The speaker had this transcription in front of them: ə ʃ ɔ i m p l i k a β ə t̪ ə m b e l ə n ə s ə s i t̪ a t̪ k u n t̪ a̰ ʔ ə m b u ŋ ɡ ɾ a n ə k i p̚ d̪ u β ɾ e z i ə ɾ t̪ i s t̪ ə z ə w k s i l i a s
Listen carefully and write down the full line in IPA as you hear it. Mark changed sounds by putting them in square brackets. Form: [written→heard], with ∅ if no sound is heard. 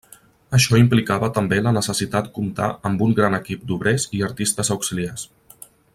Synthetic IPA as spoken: ə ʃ ɔ i m p l i k a β ə t̪ ə m b e l ə n ə s ə s i t̪ a t̪ k u [n→m] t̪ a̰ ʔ ə m b u ŋ ɡ ɾ a n ə k i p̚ d̪ u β ɾ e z i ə ɾ t̪ i s t̪ ə z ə w k s i l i a s